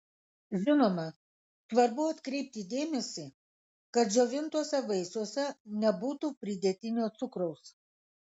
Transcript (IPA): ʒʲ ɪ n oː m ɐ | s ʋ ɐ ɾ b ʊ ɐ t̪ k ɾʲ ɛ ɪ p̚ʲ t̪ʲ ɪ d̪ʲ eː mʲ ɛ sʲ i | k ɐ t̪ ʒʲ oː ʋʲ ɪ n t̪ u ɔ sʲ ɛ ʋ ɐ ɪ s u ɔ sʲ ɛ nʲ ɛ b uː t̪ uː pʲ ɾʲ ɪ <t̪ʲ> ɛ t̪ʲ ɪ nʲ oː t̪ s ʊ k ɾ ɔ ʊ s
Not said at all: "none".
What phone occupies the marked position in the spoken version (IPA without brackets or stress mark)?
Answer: d̪ʲ